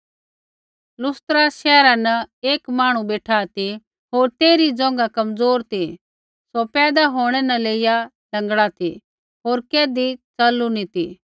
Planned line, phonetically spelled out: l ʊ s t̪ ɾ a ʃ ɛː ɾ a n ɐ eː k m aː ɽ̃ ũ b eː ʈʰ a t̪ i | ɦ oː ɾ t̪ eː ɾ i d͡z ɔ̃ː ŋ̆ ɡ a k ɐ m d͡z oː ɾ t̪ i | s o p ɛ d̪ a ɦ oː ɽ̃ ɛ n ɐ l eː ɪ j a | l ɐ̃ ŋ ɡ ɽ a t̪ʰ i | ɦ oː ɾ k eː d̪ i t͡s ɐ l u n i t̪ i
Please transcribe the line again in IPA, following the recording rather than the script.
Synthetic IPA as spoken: l ʊ s t̪ ɾ a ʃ ɛː ɾ a n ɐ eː k m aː ɽ̃ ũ b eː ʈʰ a t̪ i | ɦ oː ɾ t̪ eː ɾ i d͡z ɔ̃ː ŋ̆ ɡ a k ɐ m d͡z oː ɾ t̪ i | s o p ɛː d̪ a ɦ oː ɽ̃ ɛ n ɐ l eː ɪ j a | l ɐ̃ ŋ ɡ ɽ a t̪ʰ i | ɦ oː ɾ k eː d̪ i t͡s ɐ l u n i t̪ i